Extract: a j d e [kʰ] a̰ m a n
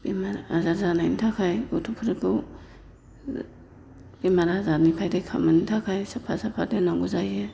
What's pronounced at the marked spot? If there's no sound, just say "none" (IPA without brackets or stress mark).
kʰ